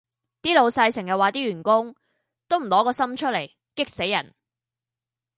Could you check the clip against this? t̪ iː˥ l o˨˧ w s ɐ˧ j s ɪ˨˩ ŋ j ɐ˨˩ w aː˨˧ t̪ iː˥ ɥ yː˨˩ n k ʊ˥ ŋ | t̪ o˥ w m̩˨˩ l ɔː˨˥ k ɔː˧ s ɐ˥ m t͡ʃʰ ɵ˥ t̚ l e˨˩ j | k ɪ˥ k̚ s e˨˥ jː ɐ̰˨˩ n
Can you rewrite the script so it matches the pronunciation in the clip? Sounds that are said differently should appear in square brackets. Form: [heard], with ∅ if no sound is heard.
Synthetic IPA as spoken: t̪ iː˥ l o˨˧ w s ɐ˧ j s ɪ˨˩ ŋ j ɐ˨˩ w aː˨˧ t̪ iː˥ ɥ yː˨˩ n k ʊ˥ ŋ | t̪ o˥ w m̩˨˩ l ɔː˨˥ k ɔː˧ s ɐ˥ m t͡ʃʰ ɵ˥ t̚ l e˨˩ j | k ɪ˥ k̚ s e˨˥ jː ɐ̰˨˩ n